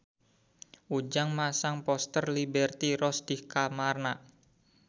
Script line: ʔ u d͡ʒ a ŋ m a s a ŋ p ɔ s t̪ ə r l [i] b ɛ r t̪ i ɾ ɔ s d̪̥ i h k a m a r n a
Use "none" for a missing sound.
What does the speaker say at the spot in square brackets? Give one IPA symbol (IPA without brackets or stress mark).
i